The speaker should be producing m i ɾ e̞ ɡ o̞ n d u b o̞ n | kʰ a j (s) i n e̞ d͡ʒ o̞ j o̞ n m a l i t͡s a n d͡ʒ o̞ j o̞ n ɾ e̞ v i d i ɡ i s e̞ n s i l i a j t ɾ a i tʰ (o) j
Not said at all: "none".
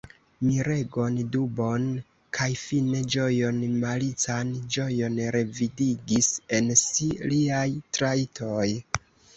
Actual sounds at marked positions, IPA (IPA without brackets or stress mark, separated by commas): f, o